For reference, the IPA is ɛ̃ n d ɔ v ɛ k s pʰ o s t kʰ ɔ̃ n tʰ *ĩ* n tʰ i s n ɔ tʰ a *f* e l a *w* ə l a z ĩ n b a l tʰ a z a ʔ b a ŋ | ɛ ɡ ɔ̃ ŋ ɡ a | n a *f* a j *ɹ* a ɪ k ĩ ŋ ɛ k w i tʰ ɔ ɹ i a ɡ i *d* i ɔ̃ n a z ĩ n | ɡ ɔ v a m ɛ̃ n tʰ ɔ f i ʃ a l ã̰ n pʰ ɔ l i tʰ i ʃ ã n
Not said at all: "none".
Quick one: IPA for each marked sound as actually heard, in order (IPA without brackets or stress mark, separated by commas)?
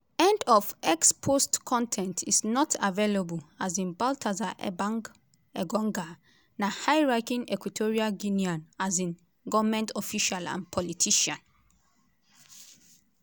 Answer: ɛ̃, v, b, h, ɹ, n